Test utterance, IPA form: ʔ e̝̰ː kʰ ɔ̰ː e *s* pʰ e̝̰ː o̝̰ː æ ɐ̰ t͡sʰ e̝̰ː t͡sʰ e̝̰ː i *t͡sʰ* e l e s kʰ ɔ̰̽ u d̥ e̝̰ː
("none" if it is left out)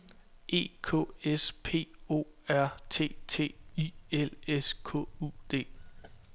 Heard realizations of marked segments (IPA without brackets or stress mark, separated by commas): s, none